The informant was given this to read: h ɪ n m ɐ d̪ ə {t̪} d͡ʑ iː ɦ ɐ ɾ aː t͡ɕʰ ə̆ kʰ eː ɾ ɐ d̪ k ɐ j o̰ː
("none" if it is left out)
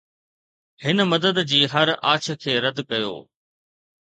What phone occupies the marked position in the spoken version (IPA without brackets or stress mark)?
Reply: d̪